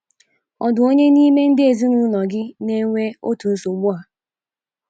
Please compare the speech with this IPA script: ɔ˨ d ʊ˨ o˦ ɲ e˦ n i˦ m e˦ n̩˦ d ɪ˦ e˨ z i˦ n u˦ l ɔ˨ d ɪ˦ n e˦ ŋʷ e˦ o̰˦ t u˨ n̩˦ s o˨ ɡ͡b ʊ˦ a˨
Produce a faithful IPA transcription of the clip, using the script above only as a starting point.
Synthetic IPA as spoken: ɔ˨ d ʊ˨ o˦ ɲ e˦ n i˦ m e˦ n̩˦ d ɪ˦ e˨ z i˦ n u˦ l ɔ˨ ɡ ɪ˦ n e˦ ŋʷ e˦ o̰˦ t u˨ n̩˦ s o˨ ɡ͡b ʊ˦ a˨